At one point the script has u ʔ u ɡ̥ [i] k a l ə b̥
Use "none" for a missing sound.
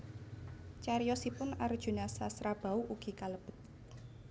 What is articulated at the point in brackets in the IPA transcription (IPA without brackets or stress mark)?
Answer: i